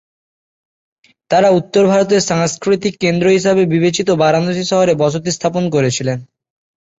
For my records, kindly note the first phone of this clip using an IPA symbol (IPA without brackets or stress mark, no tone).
t̪